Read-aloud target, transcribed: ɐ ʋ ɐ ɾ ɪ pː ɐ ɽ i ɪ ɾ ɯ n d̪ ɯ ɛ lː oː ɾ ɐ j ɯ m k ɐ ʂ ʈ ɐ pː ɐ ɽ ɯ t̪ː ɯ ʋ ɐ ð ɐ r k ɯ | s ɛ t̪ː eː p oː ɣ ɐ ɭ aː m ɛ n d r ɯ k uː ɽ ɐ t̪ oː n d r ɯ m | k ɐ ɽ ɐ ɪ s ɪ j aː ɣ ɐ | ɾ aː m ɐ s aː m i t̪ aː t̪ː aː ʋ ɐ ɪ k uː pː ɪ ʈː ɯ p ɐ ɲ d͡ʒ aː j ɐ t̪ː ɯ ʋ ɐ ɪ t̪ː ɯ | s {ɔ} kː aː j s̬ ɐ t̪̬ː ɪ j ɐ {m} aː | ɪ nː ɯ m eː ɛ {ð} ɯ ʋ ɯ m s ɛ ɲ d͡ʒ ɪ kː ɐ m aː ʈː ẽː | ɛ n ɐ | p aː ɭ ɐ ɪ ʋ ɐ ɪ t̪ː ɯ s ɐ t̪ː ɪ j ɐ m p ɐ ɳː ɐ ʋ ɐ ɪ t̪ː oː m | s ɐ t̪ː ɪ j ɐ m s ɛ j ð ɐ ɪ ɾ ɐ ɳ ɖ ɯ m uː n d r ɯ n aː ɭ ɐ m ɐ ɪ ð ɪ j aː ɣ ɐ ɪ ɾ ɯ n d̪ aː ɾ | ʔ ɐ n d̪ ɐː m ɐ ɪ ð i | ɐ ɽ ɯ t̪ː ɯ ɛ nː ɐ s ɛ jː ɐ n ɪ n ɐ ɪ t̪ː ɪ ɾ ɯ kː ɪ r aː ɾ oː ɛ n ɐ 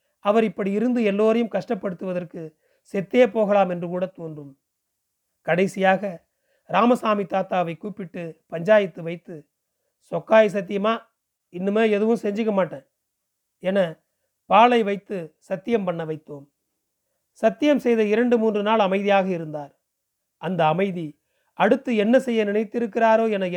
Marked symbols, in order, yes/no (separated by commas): yes, yes, yes